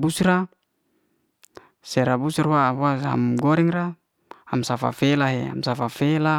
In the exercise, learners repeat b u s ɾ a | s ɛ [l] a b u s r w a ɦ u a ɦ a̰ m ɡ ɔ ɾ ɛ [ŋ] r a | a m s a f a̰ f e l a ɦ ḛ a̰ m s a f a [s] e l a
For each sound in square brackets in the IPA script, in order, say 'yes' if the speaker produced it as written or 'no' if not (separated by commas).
no, yes, no